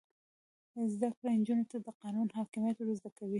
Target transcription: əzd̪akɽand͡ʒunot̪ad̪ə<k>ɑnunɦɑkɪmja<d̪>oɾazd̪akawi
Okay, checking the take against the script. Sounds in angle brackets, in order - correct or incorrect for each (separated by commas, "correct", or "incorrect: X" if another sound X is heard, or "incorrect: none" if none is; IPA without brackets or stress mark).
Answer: incorrect: q, incorrect: t̪